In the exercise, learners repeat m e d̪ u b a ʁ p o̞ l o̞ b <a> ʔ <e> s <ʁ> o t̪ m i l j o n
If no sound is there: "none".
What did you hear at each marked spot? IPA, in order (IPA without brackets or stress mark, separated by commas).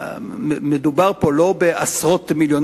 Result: e, a, ʁ